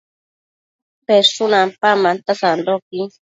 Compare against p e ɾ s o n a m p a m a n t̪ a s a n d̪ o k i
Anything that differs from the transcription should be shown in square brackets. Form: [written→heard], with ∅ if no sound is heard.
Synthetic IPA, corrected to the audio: p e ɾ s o n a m p a m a n t̪ a s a n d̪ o k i